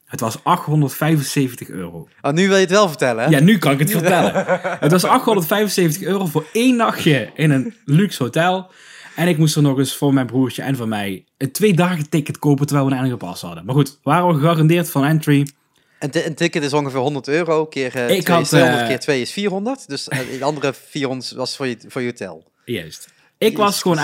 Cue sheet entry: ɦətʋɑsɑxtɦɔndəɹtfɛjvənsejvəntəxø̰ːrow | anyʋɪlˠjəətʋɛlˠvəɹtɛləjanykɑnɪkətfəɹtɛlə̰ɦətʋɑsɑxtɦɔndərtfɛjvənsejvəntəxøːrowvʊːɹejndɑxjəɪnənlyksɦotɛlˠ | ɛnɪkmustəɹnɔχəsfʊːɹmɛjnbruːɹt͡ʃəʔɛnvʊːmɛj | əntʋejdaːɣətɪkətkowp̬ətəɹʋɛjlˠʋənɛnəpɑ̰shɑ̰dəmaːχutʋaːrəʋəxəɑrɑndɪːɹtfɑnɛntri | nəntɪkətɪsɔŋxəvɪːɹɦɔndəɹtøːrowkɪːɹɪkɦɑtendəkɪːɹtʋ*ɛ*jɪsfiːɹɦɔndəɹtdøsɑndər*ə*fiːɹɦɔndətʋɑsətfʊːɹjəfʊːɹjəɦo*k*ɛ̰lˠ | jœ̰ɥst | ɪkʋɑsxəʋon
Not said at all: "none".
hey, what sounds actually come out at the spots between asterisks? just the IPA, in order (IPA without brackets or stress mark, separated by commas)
e, ə, t